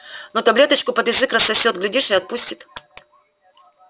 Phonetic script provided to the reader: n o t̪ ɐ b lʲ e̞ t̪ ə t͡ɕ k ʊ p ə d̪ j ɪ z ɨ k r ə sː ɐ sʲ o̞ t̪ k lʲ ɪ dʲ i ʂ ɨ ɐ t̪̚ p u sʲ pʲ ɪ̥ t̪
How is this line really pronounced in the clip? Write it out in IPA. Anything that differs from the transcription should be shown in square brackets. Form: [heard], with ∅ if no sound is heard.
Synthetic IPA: n o t̪ ɐ b lʲ e̞ t̪ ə t͡ɕ k ʊ p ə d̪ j ɪ z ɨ k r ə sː ɐ sʲ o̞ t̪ [ɡ] lʲ ɪ dʲ i ʂ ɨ ɐ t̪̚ p u sʲ [tʲ] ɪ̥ t̪

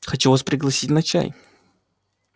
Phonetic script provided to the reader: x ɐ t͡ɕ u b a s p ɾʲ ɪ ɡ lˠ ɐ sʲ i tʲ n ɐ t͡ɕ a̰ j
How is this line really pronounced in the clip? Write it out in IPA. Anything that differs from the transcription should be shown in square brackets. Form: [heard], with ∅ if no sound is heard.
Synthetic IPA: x ɐ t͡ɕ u [v] a s p ɾʲ ɪ ɡ lˠ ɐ sʲ i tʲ n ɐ t͡ɕ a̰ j

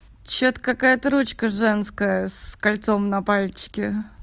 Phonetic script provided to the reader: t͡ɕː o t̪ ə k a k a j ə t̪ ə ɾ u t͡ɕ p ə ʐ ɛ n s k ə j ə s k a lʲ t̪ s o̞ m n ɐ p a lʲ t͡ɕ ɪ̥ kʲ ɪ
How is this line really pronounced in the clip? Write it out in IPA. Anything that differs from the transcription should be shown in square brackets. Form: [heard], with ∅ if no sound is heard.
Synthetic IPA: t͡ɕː o t̪ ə k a k a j ə t̪ ə ɾ u t͡ɕ [k] ə ʐ ɛ n s k ə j ə s k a lʲ t̪ s o̞ m n ɐ p a lʲ t͡ɕ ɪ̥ kʲ ɪ

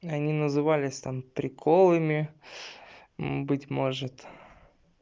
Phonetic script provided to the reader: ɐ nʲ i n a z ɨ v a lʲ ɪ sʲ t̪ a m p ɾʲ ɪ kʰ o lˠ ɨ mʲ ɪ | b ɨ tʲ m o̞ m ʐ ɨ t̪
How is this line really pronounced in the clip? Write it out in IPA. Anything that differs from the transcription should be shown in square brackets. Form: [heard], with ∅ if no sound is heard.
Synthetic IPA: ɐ nʲ i n [ə] z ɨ v a lʲ ɪ sʲ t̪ a m p ɾʲ ɪ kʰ o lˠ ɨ mʲ ɪ | b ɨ tʲ m o̞ [∅] ʐ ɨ t̪

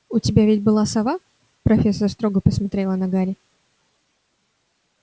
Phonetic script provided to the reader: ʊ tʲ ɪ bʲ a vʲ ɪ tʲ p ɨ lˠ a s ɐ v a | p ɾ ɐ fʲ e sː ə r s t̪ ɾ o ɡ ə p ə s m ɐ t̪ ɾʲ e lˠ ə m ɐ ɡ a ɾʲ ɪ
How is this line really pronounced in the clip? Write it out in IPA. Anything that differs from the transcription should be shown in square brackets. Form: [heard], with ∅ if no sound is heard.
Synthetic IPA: ʊ tʲ ɪ bʲ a vʲ ɪ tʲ [b] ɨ lˠ a s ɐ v a | p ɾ ɐ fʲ e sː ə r s t̪ ɾ o ɡ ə p ə s m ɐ t̪ ɾʲ e lˠ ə [n] ɐ ɡ a ɾʲ ɪ

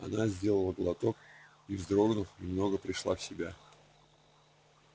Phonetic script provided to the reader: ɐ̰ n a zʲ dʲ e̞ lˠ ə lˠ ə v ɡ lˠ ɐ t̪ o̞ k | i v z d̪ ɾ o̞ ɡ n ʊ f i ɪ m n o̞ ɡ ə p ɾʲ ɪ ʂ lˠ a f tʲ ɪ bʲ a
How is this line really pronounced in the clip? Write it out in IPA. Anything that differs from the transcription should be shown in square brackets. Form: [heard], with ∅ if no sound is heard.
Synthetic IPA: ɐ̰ n a zʲ dʲ e̞ lˠ ə lˠ ə [∅] ɡ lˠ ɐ t̪ o̞ k | i v z d̪ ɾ o̞ ɡ n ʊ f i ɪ m n o̞ ɡ ə p ɾʲ ɪ ʂ lˠ a f [sʲ] ɪ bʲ a

